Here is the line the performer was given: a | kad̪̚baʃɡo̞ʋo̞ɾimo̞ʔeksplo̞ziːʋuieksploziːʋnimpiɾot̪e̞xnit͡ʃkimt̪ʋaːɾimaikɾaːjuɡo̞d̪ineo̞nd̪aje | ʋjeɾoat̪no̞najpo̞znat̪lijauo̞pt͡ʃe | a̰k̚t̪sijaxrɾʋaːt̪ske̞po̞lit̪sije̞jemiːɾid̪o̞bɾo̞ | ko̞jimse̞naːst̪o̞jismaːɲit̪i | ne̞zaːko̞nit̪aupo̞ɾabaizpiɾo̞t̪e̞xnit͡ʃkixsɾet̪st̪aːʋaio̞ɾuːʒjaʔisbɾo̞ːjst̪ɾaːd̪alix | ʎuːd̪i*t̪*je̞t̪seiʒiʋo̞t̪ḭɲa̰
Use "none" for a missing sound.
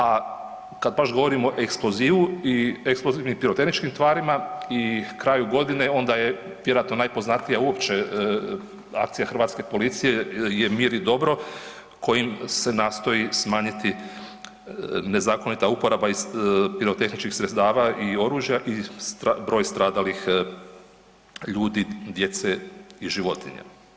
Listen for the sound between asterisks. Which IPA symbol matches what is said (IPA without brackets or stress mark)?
d̪